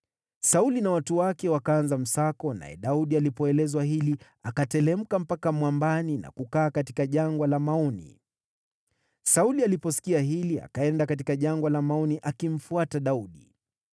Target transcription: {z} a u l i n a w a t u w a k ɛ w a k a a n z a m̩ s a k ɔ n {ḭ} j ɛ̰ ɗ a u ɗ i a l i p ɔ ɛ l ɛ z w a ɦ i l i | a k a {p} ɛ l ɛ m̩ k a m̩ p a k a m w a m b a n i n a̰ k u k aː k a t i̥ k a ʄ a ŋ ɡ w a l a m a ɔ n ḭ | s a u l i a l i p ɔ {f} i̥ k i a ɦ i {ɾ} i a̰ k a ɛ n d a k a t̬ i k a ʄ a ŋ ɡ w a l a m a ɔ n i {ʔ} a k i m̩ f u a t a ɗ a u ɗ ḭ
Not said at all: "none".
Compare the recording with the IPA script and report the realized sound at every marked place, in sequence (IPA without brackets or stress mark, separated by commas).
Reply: s, a̰, t, s, l, ʔ